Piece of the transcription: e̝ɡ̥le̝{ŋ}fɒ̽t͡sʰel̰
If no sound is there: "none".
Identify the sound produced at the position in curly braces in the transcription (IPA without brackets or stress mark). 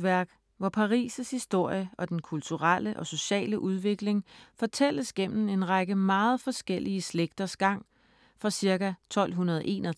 ŋ